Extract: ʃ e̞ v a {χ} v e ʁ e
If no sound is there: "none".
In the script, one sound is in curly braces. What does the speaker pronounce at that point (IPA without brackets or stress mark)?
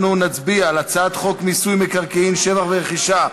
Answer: χ